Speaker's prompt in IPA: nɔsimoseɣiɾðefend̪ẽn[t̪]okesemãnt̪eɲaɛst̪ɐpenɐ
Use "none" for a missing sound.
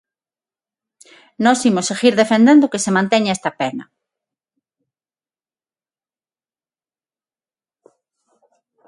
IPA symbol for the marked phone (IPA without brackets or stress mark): d̪